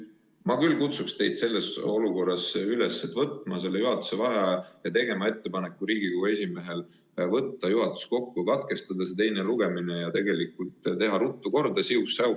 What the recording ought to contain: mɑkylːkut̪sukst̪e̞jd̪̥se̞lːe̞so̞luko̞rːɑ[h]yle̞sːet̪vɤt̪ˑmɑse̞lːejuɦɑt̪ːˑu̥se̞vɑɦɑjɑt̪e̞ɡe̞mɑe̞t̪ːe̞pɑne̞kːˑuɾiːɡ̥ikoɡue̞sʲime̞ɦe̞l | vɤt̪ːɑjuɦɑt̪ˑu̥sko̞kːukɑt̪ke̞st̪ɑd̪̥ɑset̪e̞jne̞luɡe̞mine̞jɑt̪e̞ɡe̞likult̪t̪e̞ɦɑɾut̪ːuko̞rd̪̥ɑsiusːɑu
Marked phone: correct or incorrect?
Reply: incorrect